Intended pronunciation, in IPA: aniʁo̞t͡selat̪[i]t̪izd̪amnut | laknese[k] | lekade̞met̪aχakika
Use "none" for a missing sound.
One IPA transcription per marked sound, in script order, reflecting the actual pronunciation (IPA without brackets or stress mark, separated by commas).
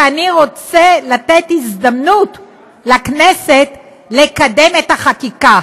e, t